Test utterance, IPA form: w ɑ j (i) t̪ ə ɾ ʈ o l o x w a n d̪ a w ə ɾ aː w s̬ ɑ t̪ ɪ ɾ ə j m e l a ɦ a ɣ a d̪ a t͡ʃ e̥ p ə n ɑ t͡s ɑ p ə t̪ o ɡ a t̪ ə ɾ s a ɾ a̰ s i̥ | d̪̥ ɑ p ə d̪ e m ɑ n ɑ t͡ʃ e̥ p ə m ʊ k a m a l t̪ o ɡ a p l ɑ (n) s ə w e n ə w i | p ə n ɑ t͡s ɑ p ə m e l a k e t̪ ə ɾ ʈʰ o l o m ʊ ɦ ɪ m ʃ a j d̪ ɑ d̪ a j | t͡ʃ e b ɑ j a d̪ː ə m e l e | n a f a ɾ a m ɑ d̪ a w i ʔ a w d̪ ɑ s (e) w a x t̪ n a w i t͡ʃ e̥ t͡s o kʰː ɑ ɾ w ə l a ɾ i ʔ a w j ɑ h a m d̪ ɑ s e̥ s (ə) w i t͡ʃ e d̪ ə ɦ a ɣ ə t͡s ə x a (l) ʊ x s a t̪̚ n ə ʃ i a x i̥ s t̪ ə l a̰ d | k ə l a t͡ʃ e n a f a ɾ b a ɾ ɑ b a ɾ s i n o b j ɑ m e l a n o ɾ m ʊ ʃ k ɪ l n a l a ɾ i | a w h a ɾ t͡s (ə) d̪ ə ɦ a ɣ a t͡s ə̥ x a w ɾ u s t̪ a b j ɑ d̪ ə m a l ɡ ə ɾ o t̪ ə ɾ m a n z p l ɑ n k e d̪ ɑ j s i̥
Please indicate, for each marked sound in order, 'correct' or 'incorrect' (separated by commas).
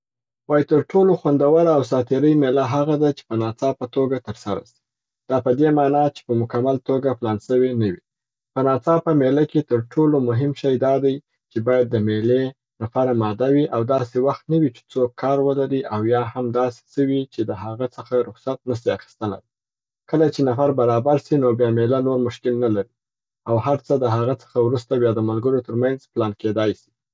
correct, correct, correct, correct, incorrect, correct